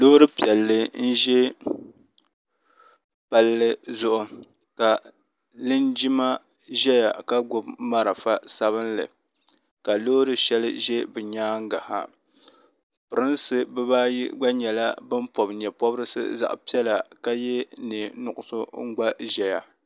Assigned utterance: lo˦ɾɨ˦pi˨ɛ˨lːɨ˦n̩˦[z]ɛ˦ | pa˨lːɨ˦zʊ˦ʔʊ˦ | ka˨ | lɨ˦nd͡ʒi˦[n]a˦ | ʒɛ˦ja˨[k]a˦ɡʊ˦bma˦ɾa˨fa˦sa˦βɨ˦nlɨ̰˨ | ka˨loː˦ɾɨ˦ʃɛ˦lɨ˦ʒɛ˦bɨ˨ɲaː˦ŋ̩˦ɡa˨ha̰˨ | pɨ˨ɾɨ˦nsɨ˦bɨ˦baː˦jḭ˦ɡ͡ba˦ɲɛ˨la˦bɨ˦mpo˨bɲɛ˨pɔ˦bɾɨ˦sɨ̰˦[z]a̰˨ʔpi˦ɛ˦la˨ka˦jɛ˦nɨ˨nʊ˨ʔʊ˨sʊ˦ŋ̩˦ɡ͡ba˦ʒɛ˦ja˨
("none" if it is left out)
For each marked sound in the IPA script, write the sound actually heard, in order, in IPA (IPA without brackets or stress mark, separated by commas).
ʒ, m, k, z